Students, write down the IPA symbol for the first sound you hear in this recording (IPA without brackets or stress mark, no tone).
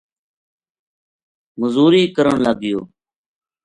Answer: m